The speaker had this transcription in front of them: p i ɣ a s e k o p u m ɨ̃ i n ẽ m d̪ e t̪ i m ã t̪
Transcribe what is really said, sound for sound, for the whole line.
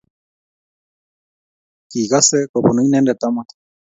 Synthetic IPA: k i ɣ a s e k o p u n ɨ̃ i n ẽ n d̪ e t̪ a m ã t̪